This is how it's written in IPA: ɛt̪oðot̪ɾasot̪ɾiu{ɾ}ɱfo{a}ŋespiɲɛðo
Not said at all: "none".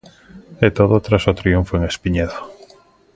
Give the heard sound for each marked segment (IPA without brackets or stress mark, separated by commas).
none, e